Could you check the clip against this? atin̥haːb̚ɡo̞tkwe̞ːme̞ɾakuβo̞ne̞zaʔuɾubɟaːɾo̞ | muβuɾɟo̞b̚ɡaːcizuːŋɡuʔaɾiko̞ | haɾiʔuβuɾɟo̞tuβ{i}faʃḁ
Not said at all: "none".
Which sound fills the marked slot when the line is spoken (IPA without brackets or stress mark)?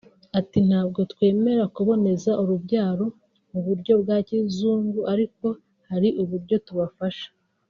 a